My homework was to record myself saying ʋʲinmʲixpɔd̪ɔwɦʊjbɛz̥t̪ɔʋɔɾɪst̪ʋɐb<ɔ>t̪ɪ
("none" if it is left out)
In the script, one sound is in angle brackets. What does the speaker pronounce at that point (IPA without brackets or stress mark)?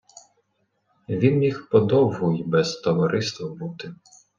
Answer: u